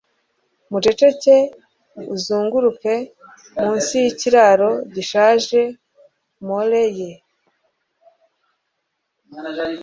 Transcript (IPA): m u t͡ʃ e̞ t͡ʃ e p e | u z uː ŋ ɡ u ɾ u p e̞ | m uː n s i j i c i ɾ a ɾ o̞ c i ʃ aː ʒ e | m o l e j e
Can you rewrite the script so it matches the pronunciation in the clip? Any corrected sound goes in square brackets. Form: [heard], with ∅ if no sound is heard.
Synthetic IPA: m u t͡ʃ e̞ t͡ʃ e [c] e | u z uː ŋ ɡ u ɾ u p e̞ | m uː n s i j i c i ɾ a ɾ o̞ [ɟ] i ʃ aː ʒ e | m o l e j e